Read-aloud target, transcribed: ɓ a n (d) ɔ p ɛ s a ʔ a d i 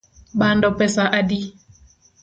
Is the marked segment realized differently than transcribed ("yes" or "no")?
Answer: no